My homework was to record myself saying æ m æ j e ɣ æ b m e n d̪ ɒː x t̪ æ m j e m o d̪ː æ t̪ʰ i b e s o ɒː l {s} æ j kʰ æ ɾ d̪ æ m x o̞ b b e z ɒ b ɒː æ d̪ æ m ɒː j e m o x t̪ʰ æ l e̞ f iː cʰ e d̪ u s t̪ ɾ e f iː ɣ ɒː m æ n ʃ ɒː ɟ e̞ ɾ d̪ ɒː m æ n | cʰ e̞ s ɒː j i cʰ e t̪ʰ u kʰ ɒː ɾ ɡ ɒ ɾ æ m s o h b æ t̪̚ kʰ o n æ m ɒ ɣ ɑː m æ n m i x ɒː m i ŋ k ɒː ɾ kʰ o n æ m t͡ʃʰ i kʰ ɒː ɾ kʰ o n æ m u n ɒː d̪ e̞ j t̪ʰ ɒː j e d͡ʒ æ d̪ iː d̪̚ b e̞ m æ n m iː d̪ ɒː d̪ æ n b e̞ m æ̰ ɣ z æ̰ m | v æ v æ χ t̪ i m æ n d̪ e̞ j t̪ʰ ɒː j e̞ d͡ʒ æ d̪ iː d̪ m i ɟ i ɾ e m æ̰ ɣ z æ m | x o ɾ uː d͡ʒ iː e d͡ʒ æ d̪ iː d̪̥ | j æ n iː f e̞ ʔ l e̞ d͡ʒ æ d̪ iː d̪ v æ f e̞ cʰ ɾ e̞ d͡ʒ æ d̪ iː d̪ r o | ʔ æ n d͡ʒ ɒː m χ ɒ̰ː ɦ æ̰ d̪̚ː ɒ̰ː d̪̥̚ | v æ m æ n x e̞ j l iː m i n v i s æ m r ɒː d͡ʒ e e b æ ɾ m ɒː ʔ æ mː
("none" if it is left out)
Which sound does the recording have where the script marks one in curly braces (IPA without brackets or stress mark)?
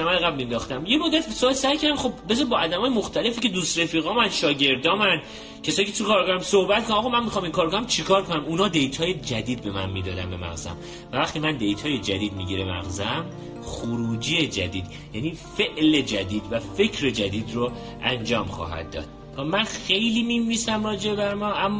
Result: s